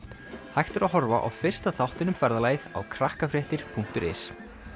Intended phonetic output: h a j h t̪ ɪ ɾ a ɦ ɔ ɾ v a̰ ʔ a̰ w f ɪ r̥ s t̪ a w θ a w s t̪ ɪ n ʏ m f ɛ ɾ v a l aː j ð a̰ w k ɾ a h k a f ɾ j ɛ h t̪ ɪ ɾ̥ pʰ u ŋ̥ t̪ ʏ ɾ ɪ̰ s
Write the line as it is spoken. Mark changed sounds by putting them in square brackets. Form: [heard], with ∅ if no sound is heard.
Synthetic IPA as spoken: h a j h t̪ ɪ ɾ a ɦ ɔ ɾ v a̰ ʔ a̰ w f ɪ r̥ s t̪ a [∅] θ a w [h] t̪ ɪ n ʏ m f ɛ ɾ [ð] a l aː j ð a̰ w [kʰ] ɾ a h k a f ɾ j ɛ h t̪ ɪ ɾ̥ pʰ u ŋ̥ t̪ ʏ ɾ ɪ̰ s